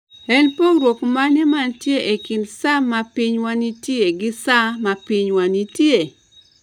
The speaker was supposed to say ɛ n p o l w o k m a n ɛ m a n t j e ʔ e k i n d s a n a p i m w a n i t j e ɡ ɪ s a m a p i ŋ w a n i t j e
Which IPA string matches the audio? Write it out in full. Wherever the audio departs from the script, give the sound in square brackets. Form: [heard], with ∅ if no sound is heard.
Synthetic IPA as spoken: ɛ n p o [ɾ] w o k m a n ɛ m a n t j e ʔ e k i n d s a [m] a p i [ɲ] w a n i t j e ɡ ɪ s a m a p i [ɲ] w a n i t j e